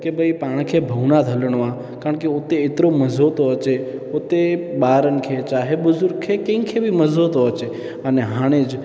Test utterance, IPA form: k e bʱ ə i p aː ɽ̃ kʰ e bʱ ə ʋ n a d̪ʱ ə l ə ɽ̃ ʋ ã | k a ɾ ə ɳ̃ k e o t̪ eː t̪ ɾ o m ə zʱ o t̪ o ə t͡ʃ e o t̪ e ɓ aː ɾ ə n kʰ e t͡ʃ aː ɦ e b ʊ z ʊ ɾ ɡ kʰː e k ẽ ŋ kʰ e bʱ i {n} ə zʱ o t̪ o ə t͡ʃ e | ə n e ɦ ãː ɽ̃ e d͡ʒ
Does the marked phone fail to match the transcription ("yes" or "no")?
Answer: yes